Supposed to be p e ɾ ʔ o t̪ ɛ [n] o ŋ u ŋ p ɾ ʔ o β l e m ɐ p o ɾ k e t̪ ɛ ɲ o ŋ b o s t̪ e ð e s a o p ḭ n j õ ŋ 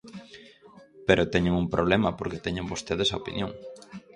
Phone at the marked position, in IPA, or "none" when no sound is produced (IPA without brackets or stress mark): ɲ